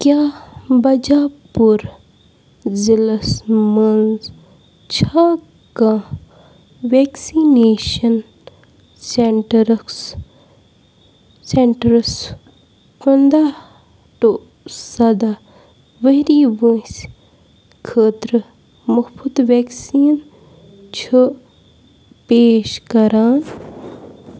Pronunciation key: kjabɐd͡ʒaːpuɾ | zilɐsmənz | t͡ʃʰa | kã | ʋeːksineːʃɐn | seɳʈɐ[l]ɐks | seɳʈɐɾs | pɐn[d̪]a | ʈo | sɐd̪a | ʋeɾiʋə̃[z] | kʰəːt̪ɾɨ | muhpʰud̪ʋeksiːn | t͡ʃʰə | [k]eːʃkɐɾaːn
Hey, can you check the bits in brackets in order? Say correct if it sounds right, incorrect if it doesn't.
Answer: incorrect: ɾ, correct, incorrect: s, incorrect: p

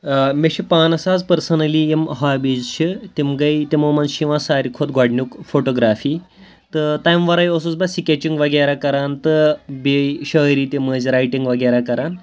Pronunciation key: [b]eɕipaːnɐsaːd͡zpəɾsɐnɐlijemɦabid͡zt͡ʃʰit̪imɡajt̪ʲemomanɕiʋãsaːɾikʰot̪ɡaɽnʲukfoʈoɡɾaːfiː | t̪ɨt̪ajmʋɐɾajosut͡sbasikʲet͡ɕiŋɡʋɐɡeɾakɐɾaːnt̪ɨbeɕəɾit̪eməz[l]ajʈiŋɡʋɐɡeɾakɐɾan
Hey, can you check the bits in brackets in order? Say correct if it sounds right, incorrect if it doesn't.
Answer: incorrect: m, incorrect: ɾ

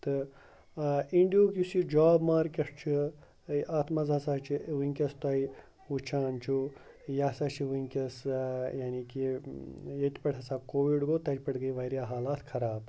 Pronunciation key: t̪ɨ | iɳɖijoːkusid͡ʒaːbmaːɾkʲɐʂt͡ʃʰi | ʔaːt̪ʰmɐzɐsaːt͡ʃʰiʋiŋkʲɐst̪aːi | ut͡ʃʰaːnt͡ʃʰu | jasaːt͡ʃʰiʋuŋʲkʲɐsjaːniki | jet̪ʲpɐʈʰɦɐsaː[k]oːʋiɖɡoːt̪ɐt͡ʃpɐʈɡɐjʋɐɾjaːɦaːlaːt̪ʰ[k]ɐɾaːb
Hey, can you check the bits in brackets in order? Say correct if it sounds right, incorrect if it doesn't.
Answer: correct, incorrect: kʰ

